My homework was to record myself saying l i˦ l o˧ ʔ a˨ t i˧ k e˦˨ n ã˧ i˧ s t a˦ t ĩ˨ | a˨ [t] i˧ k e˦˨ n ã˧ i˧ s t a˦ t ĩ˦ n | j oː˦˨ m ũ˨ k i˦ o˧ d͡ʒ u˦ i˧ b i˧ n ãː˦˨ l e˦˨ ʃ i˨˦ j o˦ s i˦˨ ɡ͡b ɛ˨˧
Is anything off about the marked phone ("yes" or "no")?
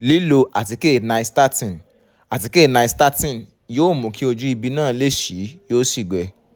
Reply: no